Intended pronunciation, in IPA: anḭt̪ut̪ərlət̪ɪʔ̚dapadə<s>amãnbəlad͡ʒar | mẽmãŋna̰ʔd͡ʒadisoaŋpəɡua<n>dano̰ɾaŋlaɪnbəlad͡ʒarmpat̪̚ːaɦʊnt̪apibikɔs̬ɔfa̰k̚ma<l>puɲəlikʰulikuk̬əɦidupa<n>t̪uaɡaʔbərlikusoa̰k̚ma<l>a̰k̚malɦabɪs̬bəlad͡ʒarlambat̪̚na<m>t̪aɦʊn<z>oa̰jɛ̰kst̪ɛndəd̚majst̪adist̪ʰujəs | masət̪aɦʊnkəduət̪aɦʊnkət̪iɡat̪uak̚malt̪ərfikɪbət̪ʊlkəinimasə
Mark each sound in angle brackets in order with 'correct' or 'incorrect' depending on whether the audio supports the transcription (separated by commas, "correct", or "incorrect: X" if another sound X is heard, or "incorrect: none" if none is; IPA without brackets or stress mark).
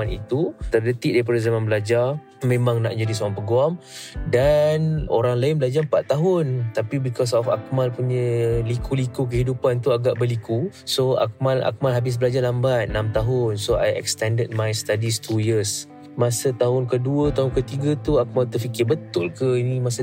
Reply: incorrect: z, incorrect: m, correct, correct, correct, correct, incorrect: s